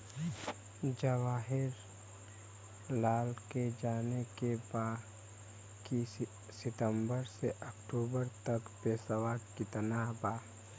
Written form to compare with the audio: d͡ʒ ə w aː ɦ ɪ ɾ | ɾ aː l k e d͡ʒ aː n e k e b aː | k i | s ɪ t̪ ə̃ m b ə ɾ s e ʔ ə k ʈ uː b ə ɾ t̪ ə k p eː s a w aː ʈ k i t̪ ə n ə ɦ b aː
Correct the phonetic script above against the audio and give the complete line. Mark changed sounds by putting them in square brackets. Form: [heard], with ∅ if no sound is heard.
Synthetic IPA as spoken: d͡ʒ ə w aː ɦ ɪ ɾ | [l] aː l k e d͡ʒ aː n e k e b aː | k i | s ɪ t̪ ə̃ m b ə ɾ s e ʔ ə k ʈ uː b ə ɾ t̪ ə k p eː s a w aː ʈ k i t̪ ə n [a] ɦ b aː